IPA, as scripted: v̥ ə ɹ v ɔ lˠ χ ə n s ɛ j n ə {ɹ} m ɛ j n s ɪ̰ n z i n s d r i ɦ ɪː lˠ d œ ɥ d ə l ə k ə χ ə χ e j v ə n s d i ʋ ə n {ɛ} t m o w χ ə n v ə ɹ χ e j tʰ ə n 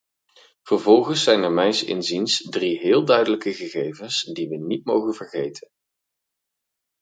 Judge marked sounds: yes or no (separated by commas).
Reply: yes, no